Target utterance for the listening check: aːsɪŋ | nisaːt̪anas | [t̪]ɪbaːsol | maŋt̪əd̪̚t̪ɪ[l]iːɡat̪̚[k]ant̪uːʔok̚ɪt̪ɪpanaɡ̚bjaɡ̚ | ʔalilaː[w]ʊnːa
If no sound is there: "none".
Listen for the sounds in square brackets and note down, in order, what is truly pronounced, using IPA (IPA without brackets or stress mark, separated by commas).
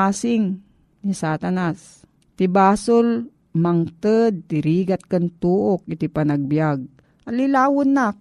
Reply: t̪, ɾ, k, w